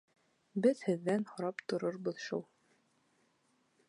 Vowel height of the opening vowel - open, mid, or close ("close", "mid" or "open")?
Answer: mid